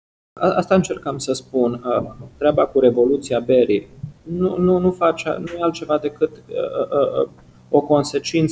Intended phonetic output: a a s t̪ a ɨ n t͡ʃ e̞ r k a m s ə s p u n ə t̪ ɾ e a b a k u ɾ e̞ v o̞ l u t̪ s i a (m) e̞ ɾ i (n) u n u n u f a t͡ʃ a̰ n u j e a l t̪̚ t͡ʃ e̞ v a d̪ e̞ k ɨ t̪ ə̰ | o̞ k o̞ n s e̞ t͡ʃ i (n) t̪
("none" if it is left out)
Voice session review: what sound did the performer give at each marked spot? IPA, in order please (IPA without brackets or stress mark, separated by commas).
b, n, n